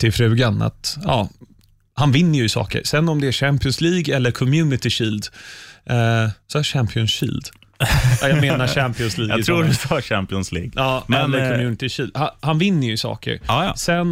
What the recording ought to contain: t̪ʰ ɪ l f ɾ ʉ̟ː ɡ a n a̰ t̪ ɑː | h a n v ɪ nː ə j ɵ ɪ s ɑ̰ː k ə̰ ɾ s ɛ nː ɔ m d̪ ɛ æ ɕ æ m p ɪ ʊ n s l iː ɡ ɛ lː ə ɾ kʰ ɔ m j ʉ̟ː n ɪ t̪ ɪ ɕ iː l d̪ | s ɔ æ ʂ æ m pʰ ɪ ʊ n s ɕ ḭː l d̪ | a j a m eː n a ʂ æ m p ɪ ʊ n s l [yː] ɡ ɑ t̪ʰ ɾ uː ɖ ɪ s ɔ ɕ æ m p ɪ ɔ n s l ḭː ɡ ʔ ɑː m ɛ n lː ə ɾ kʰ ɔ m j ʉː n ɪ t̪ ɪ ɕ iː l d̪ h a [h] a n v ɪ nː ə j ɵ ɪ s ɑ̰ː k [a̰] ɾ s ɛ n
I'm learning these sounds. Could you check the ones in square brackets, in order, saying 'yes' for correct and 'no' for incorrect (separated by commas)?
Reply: no, yes, no